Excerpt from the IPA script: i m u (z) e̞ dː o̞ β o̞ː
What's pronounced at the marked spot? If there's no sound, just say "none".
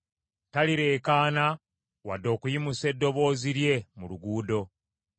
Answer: s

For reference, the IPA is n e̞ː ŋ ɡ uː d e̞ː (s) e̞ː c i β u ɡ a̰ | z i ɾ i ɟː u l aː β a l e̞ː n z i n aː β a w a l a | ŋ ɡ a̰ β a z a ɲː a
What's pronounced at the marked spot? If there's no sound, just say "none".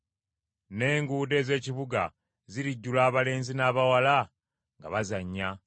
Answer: z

